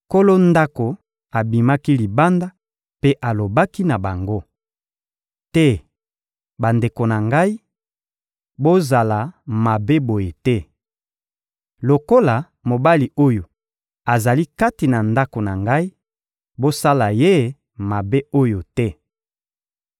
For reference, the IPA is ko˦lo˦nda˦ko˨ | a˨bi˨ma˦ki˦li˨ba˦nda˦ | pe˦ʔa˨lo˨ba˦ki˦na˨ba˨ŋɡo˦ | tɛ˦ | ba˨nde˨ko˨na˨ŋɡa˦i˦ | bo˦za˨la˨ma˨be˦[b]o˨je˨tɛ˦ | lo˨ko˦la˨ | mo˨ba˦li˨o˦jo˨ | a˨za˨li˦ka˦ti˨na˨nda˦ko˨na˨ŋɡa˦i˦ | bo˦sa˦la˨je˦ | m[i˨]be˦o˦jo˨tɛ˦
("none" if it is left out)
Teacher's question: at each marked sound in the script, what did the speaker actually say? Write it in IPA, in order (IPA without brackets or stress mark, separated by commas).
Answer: b, a˨